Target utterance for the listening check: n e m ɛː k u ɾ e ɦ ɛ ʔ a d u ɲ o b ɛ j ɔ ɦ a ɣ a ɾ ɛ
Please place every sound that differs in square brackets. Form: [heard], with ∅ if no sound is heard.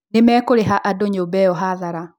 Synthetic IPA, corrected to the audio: n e m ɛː k [o] ɾ e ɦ [a] ʔ a d [o] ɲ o b ɛ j ɔ ɦ a [ð] a ɾ [a]